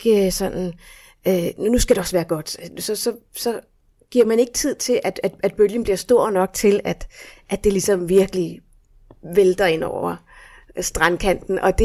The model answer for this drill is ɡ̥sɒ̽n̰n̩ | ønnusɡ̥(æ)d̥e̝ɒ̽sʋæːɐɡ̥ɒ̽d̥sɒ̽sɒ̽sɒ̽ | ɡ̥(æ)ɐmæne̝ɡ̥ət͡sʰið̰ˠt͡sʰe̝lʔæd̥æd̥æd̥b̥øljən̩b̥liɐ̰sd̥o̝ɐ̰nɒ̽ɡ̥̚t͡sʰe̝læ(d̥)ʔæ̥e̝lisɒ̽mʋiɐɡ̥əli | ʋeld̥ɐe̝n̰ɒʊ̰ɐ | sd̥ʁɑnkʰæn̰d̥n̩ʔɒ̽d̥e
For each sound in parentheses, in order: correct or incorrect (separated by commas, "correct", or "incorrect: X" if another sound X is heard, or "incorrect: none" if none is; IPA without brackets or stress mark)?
correct, incorrect: i, correct